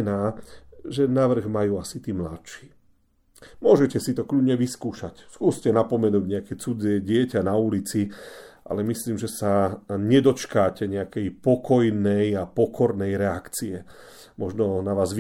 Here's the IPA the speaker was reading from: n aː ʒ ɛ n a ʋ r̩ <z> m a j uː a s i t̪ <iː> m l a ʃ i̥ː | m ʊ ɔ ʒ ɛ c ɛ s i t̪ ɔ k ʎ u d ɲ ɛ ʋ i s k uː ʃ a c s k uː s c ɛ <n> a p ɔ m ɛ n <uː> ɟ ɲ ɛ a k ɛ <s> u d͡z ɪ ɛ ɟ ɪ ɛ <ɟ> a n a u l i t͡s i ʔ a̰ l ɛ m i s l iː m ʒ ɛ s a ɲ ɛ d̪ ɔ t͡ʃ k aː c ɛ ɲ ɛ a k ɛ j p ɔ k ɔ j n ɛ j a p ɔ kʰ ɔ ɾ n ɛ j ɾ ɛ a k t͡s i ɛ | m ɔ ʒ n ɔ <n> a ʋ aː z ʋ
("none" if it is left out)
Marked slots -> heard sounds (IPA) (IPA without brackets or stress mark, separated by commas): ɣ, iː, n, uː, t͡s, c, n